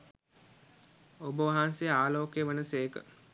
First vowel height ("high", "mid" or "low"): mid